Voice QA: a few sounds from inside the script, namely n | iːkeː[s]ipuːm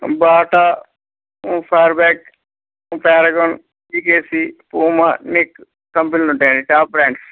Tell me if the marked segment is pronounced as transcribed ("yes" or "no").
yes